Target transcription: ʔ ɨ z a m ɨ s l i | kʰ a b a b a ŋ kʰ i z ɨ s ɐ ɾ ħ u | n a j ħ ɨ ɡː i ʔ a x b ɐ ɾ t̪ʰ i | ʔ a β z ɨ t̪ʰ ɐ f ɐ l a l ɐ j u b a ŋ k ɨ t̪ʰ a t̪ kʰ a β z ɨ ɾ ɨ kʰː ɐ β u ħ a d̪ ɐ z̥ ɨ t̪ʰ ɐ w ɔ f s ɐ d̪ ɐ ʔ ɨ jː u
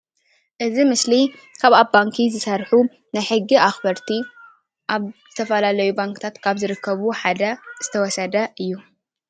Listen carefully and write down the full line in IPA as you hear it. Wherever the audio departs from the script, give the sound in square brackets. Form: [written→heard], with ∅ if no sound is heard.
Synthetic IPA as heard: ʔ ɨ z [a→i] m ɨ s l i | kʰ a [b→β] a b a ŋ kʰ i z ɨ s ɐ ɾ ħ u | n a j ħ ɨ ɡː i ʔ a x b ɐ ɾ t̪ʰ i | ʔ a β z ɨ t̪ʰ ɐ f ɐ l a l ɐ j u b a ŋ k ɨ t̪ʰ a t̪ kʰ a β z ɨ ɾ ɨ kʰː ɐ β u ħ a d̪ ɐ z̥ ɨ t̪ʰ ɐ w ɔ [f→∅] s ɐ d̪ ɐ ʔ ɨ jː u

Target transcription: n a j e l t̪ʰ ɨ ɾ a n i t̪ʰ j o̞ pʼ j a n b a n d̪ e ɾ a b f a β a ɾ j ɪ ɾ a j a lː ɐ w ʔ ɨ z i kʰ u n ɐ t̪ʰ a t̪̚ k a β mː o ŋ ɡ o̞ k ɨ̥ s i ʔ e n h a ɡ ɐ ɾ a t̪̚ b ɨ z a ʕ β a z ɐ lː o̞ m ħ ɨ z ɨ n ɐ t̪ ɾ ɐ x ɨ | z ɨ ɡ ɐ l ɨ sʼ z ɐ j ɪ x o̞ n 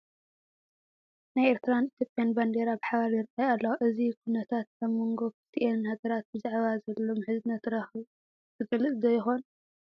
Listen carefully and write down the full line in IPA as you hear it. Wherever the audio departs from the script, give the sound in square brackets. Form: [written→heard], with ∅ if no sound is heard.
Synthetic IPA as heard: n a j e [l→ɾ] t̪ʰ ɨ ɾ a n i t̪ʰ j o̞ pʼ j a n b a n d̪ e ɾ a b [f→ħ] a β a ɾ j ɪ ɾ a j a lː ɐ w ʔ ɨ z i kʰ u n ɐ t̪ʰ a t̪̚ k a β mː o ŋ ɡ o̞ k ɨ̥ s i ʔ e n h a ɡ ɐ ɾ a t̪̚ b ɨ z a ʕ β a z ɐ lː o̞ m ħ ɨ z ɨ n ɐ t̪ ɾ ɐ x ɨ | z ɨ ɡ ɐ l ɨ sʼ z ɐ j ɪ x o̞ n

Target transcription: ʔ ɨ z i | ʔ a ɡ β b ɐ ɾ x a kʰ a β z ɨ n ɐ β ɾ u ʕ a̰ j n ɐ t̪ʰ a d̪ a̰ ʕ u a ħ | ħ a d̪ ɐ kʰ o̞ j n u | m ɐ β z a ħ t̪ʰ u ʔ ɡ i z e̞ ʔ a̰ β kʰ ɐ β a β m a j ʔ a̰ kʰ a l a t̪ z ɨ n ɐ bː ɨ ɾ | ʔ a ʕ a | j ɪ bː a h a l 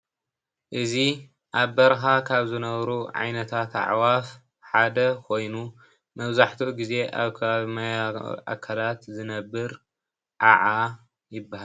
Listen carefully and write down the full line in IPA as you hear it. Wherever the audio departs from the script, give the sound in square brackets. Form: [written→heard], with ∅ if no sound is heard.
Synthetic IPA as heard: ʔ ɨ z i | ʔ a [ɡ→∅] β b ɐ ɾ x a kʰ a β z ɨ n ɐ β ɾ u ʕ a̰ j n ɐ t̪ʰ a [d̪→t̪] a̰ ʕ [u→w] a [ħ→f] | ħ a d̪ ɐ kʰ o̞ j n u | m ɐ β z a ħ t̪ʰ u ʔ ɡ i z e̞ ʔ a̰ β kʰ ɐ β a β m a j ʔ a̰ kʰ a l a t̪ z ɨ n ɐ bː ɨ ɾ | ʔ a ʕ a | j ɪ bː a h a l

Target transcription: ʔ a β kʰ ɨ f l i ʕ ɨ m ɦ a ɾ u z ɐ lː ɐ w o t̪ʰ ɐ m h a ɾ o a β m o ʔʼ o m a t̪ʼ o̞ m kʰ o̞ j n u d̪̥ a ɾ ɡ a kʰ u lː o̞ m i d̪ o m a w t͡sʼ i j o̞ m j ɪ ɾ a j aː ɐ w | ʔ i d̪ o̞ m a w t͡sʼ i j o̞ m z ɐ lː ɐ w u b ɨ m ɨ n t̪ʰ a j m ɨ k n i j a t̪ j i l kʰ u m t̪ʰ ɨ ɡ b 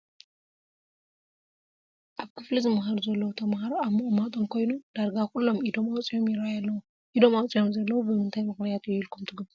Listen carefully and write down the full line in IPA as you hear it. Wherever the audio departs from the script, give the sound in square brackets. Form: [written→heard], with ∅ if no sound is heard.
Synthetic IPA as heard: ʔ a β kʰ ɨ f l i [ʕ→z] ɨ m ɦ a ɾ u z ɐ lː ɐ w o t̪ʰ ɐ m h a ɾ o a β m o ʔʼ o m a t̪ʼ o̞ m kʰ o̞ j n u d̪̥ a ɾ ɡ a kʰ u lː o̞ m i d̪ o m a w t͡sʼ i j o̞ m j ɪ ɾ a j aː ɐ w | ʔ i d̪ o̞ m a w t͡sʼ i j o̞ m z ɐ lː ɐ w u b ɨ m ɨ n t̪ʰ a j m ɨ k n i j a t̪ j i l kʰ u m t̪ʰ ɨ ɡ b

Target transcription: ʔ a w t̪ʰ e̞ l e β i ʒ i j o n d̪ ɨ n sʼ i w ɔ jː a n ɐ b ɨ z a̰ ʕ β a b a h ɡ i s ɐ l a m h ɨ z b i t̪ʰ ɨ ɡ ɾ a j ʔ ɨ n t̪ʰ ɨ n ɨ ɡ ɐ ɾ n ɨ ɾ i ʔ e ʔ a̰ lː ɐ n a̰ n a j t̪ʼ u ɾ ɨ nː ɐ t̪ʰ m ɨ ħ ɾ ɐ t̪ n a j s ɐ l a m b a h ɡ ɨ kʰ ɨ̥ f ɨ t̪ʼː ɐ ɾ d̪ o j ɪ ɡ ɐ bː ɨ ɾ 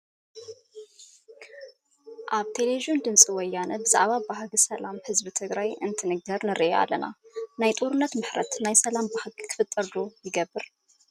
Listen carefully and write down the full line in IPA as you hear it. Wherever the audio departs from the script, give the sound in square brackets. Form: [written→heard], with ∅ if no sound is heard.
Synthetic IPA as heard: ʔ a [w→β] t̪ʰ e̞ l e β i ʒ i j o n d̪ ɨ n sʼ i w ɔ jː a n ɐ b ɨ z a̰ ʕ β a b a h ɡ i s ɐ l a m h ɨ z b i t̪ʰ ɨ ɡ ɾ a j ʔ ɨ n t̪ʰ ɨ n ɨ ɡ ɐ ɾ n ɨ ɾ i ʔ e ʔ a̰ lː ɐ n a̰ n a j t̪ʼ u ɾ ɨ nː ɐ [t̪ʰ→t̪] m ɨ ħ ɾ ɐ t̪ n a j s ɐ l a m b a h ɡ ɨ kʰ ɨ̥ f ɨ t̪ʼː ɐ ɾ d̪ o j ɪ ɡ ɐ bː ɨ ɾ

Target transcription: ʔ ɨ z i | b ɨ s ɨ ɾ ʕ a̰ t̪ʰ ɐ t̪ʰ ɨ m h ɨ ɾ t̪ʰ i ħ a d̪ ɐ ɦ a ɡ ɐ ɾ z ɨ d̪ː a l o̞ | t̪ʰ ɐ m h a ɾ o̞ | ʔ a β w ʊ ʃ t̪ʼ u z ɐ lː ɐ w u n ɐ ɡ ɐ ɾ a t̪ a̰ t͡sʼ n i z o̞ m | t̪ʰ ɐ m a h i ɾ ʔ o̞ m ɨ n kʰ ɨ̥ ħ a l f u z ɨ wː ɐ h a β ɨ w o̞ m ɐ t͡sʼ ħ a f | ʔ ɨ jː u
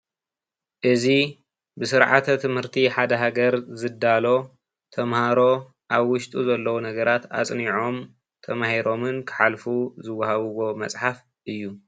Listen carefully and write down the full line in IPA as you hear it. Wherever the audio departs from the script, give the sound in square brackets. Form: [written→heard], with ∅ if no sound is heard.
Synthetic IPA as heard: ʔ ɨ z i | b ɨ s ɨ ɾ ʕ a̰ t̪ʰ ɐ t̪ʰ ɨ m h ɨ ɾ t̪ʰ i ħ a d̪ ɐ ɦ a ɡ ɐ ɾ z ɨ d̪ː a l o̞ | t̪ʰ ɐ m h a ɾ o̞ | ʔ a β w ʊ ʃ t̪ʼ u z ɐ lː ɐ w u n ɐ ɡ ɐ ɾ a t̪ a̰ t͡sʼ n i [z→ʕ] o̞ m | t̪ʰ ɐ m a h i ɾ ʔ o̞ m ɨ n kʰ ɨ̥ ħ a l f u z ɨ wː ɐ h a β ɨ w o̞ m ɐ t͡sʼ ħ a f | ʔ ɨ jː u

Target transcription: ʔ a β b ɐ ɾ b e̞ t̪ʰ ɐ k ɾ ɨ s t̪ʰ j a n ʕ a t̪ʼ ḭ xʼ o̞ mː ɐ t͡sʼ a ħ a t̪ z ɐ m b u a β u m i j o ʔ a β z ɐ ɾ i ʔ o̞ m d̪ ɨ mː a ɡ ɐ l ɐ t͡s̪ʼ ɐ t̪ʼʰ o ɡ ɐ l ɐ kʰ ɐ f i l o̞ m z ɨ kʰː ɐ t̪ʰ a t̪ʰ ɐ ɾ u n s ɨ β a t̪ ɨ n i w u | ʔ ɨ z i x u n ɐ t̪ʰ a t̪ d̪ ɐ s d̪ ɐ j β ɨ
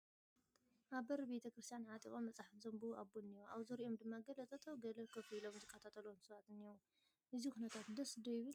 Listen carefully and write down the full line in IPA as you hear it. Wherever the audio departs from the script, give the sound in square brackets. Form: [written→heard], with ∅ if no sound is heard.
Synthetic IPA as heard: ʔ a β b ɐ ɾ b e̞ t̪ʰ ɐ k ɾ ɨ s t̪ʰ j a n ʕ a t̪ʼ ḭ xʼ o̞ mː ɐ t͡sʼ a ħ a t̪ z ɐ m b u a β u [m→n] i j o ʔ a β z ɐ ɾ i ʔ o̞ m d̪ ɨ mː a ɡ ɐ l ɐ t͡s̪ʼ ɐ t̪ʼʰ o ɡ ɐ l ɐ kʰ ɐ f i l o̞ m z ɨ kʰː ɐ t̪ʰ a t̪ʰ ɐ [ɾ→l] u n s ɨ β a t̪ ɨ n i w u | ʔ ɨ z i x u n ɐ t̪ʰ a t̪ d̪ ɐ s d̪ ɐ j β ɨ

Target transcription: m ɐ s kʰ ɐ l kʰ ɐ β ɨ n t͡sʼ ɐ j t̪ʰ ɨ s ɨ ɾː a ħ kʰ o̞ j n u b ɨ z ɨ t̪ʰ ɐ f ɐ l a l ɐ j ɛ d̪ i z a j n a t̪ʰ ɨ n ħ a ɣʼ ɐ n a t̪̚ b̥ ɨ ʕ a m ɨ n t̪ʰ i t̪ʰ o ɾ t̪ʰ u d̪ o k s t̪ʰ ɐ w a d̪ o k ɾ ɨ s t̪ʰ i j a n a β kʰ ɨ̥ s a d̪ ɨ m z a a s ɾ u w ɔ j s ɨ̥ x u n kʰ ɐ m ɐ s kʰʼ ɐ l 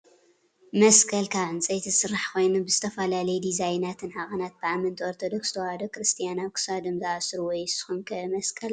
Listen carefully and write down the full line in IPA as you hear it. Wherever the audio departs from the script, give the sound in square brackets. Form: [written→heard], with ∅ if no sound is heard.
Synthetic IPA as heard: m ɐ s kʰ ɐ l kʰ [ɐ→a] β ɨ n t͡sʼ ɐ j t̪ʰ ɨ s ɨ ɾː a ħ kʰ o̞ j n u b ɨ z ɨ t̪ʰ ɐ f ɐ l a l ɐ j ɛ d̪ i z a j n a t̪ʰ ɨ n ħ a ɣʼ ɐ n a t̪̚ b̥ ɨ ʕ a m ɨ n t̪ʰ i [t̪ʰ→∅] o ɾ t̪ʰ [u→o] d̪ o k s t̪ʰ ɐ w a d̪ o k ɾ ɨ s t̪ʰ i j a n a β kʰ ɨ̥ s a d̪ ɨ m z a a s ɾ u w ɔ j s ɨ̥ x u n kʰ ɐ m ɐ s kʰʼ ɐ l

